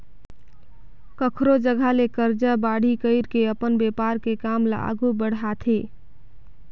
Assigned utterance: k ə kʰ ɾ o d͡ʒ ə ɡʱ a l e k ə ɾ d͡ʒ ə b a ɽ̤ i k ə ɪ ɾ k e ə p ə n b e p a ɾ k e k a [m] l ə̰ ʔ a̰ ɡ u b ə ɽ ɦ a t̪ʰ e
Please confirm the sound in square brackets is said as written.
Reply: yes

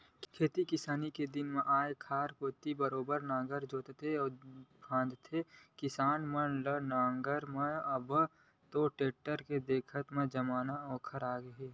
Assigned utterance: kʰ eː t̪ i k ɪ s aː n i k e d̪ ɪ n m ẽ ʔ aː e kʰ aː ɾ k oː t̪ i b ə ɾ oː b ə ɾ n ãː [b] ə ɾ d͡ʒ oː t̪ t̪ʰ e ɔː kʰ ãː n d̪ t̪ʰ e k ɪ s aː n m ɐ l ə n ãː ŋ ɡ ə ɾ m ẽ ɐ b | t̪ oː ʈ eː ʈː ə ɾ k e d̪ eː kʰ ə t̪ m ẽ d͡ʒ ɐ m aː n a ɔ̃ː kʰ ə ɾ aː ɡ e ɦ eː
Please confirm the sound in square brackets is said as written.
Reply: no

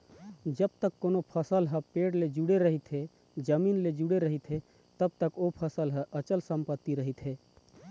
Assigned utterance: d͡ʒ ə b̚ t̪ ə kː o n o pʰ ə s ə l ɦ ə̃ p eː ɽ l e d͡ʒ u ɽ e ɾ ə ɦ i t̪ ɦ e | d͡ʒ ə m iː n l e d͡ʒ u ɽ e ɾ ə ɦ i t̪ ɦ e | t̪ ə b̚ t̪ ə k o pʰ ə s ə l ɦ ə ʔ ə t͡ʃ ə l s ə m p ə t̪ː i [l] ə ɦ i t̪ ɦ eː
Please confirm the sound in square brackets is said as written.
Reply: no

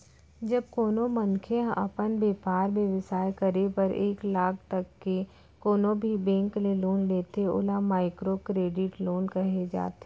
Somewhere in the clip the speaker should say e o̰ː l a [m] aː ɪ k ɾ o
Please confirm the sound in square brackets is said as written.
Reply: yes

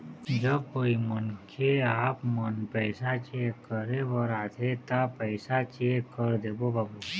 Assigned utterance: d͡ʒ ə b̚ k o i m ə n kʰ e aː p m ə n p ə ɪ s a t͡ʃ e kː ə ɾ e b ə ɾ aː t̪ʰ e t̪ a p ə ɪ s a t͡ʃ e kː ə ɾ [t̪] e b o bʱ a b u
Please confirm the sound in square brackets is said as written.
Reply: no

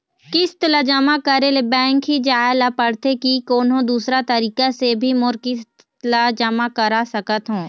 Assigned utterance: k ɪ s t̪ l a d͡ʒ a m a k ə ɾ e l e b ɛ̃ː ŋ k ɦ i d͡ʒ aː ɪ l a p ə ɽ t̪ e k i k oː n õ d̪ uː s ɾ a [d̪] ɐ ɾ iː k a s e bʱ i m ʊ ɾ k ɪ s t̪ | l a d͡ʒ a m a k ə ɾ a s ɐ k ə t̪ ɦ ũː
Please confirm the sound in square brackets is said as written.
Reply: no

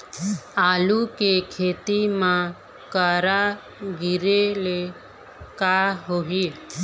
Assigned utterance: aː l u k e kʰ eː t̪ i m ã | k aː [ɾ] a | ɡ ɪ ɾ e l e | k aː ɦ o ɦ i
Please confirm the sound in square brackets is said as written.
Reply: yes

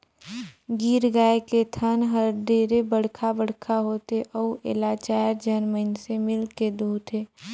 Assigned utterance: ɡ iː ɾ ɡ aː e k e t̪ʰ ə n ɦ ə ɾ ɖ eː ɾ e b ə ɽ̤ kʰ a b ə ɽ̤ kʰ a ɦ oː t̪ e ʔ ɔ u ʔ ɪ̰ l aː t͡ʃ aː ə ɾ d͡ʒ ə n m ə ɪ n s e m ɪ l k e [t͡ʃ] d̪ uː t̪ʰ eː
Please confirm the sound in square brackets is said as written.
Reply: no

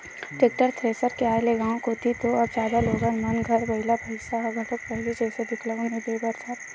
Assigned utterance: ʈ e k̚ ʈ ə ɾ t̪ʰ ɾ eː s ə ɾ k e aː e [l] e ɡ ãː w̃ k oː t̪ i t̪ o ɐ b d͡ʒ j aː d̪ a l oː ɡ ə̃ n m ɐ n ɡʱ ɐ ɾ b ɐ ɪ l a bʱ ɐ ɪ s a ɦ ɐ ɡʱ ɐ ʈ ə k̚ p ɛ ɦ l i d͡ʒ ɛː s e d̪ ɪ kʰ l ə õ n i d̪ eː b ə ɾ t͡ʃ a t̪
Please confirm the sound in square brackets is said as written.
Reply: yes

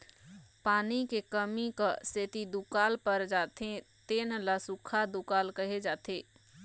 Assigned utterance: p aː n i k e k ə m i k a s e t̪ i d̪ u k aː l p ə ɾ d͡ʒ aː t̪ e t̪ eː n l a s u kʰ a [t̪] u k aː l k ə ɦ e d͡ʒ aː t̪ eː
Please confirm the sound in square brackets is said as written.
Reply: no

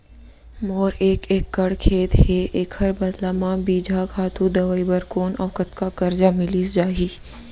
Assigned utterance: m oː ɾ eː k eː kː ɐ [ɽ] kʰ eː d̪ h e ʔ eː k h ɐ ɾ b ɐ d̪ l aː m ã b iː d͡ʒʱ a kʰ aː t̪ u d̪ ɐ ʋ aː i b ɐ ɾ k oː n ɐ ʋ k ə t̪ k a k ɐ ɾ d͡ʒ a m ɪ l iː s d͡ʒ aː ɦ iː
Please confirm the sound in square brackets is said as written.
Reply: yes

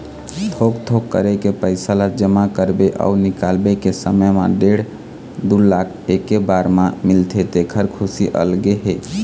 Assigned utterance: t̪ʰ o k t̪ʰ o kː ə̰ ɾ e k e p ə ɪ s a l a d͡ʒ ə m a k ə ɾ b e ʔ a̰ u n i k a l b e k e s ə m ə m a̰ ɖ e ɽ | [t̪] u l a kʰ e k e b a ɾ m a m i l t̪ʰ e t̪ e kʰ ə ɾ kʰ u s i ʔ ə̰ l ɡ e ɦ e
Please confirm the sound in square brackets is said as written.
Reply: no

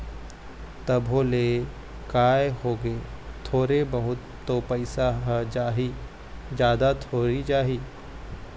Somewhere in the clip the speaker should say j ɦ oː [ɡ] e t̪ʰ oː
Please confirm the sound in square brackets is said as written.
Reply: yes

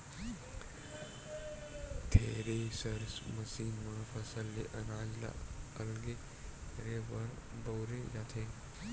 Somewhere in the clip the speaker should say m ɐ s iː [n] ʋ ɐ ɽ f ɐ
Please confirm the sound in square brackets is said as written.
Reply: yes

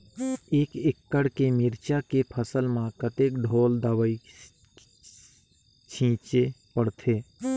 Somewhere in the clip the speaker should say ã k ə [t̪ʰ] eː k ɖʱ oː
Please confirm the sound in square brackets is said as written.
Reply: no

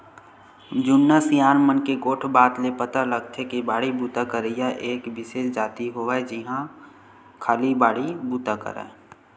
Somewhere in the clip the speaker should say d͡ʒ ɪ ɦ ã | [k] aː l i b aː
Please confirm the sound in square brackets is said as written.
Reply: no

